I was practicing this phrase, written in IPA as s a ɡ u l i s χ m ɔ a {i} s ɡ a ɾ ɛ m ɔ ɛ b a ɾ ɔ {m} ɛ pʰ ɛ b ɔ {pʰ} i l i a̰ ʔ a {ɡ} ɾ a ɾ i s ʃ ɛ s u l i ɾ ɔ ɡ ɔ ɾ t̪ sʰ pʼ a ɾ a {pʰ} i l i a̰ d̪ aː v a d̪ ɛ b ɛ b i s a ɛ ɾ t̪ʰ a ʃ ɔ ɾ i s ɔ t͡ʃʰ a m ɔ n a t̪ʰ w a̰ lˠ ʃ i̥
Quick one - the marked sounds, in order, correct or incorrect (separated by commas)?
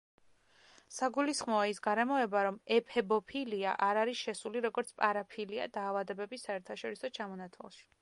correct, correct, correct, incorrect, correct